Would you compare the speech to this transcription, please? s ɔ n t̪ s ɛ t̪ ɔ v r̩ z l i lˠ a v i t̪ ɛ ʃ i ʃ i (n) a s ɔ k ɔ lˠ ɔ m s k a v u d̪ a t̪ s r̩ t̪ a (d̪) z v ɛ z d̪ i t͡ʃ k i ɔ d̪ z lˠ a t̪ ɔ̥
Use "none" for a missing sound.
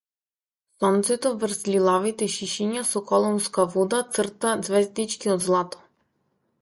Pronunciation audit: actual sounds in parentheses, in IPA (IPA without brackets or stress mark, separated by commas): ɲ, d̪